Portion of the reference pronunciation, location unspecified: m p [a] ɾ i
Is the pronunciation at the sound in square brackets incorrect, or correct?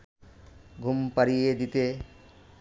correct